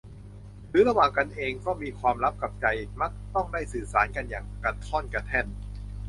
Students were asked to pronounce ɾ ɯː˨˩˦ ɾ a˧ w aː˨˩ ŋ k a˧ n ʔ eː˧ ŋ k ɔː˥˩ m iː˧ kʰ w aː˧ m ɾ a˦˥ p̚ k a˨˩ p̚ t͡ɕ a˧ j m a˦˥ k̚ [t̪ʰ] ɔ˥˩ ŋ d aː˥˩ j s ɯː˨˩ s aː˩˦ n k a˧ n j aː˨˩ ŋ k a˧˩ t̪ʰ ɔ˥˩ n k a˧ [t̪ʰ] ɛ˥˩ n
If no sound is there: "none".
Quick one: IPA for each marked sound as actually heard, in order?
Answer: t̪, t̪ʰ

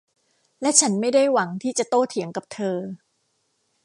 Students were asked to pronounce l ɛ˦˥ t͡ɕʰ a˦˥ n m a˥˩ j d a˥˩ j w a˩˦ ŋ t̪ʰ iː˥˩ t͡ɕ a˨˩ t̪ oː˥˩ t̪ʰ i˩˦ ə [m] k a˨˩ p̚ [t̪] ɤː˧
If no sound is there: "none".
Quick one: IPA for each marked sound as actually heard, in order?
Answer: ŋ, t̪ʰ

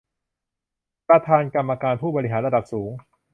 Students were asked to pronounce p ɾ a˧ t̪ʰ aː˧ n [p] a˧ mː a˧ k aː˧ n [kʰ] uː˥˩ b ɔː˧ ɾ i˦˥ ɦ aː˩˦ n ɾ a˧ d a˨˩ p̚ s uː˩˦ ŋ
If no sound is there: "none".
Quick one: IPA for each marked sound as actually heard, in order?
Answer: k, pʰ

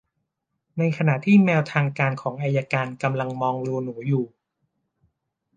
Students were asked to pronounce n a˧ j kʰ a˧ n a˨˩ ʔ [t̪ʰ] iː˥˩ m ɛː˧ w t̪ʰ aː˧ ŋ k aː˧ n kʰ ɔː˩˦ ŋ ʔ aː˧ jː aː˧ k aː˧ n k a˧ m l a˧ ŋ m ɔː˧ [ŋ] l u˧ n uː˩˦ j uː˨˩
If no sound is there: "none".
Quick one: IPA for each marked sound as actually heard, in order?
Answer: t̪ʰ, ŋ

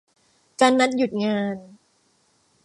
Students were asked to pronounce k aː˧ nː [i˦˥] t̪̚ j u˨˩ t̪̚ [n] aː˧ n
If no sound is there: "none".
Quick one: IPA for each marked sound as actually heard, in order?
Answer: a˦˥, ŋ

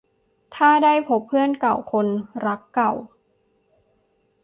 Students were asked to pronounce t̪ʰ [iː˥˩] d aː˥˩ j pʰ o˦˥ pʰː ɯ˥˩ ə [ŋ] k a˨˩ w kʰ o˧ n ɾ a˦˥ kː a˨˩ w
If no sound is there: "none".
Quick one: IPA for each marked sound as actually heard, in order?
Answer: aː˥˩, n

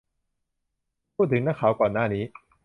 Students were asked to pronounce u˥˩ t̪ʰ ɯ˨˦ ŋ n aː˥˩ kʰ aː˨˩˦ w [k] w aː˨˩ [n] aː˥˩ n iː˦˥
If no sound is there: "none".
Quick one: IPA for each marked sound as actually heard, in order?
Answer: k, n

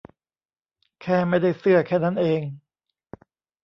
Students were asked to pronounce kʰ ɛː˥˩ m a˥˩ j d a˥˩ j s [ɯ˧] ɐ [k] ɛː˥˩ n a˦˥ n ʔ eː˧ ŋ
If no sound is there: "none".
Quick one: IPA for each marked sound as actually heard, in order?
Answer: ɯ˥˩, kʰ

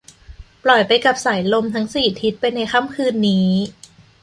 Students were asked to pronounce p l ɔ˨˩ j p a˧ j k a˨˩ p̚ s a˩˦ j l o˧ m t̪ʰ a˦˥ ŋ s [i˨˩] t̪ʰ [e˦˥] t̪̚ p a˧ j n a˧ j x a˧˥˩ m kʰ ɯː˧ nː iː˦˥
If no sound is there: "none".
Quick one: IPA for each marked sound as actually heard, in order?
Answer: iː˨˩, i˦˥

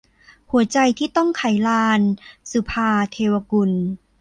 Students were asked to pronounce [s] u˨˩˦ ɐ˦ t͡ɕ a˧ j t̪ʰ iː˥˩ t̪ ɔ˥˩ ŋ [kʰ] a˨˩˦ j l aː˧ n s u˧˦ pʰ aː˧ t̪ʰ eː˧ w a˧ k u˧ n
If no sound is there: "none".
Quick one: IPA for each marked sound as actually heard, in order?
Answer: h, kʰ

